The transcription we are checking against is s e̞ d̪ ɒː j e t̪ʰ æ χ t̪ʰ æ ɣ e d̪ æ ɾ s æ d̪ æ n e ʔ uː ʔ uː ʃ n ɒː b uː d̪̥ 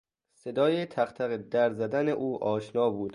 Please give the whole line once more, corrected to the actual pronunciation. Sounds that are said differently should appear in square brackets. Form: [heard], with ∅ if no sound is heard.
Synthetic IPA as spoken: s e̞ d̪ ɒː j e t̪ʰ æ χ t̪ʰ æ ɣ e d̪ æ ɾ [z] æ d̪ æ n e ʔ uː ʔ [ɒː] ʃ n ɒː b uː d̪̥